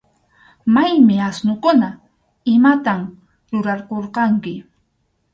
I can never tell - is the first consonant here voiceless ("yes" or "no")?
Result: no